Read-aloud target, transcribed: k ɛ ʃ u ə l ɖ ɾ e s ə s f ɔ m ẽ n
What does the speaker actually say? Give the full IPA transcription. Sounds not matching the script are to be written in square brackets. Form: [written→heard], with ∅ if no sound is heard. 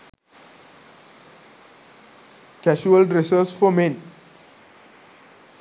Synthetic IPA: k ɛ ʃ u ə l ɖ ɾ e s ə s f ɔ m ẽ n